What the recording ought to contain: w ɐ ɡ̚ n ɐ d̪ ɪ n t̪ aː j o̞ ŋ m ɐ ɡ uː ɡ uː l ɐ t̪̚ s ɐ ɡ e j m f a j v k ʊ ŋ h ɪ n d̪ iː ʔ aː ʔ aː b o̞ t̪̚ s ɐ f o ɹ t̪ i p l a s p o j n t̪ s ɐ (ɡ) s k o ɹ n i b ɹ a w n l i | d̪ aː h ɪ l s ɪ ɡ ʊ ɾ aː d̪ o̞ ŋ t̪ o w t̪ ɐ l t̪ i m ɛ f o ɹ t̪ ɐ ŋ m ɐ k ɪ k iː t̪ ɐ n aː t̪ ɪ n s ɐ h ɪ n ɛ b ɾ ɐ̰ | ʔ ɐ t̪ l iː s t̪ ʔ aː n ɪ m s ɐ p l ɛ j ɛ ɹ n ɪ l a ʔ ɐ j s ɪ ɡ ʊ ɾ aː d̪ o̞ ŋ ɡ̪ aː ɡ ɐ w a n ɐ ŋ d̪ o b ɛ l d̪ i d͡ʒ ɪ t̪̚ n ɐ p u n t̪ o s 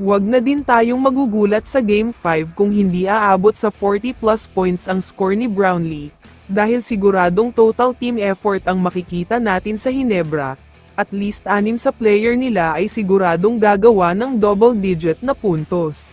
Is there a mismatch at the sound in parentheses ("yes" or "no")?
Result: yes